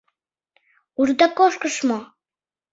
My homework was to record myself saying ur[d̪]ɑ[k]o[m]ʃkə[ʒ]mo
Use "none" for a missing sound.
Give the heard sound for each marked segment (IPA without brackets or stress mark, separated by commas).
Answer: d̪, k, none, ʃ